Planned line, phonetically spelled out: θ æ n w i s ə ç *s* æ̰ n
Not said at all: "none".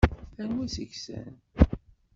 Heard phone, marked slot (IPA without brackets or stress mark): s